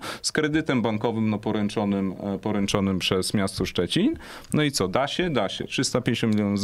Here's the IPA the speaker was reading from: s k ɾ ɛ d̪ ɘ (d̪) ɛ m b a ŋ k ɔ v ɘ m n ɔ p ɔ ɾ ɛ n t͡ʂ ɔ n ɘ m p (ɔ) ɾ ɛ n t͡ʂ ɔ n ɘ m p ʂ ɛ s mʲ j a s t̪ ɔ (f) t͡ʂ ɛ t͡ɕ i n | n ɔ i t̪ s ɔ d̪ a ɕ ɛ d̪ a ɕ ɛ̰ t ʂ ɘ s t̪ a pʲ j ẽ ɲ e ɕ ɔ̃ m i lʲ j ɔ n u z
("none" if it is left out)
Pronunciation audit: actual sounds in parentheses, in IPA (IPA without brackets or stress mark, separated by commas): t̪, ɔ, ʂ